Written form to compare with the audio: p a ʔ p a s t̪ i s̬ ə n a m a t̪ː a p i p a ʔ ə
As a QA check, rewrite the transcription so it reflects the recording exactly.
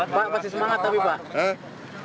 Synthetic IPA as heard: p a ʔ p a s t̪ i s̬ ə m a ŋ a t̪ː a p i p a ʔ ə